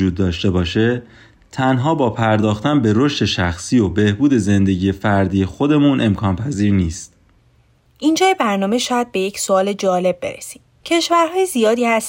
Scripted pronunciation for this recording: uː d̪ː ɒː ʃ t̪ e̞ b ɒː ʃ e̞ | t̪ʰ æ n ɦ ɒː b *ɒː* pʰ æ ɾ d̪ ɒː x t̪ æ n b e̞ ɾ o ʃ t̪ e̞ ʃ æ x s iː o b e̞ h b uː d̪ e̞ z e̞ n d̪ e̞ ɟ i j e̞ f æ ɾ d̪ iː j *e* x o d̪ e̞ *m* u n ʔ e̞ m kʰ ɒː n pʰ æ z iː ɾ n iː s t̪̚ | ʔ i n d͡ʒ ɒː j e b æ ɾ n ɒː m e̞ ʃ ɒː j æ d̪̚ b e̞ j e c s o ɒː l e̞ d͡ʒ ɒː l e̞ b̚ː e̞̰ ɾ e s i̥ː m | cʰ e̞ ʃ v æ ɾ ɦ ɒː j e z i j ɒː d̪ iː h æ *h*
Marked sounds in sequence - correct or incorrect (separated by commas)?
correct, correct, correct, incorrect